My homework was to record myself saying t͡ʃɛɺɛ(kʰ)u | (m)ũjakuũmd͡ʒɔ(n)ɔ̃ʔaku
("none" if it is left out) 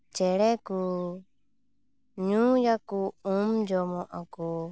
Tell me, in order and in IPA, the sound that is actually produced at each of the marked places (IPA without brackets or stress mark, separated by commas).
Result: k, ɲ, m